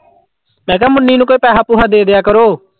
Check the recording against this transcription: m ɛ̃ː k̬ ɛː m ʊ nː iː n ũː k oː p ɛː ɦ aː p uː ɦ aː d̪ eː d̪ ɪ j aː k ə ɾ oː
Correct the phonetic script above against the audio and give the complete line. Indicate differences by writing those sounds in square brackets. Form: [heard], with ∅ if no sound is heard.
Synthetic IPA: m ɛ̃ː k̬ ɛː m ʊ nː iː n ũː k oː p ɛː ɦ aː p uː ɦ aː d̪ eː d̪ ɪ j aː k ə ɾ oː